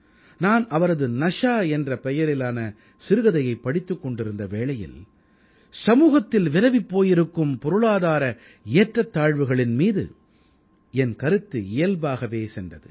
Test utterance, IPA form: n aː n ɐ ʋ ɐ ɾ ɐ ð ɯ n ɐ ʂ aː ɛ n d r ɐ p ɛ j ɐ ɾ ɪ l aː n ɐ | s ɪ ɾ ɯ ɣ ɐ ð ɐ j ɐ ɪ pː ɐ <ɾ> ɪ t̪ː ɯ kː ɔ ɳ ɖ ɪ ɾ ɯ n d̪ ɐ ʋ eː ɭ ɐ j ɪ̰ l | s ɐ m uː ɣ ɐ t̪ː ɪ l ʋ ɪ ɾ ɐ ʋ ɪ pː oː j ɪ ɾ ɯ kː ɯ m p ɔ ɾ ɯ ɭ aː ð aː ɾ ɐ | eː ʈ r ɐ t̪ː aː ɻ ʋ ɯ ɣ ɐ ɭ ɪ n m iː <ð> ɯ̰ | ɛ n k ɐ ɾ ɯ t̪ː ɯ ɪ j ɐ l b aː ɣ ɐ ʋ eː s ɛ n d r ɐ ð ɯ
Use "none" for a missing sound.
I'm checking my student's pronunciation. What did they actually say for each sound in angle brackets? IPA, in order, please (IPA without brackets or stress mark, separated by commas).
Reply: ɽ, ð